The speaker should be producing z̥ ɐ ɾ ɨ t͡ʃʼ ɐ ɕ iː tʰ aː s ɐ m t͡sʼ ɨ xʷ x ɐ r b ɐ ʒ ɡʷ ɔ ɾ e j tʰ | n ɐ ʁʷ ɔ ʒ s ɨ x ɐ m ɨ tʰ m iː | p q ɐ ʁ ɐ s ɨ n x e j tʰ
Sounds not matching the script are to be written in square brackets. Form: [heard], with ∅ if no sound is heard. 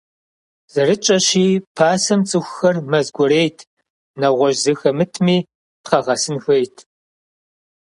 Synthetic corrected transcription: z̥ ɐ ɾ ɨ t͡ʃʼ ɐ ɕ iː [pʰ] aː s ɐ m t͡sʼ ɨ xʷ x ɐ r [m] ɐ [z] ɡʷ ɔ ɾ e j tʰ | n ɐ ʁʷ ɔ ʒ [z] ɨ x ɐ m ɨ tʰ m iː | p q ɐ ʁ ɐ s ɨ n x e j tʰ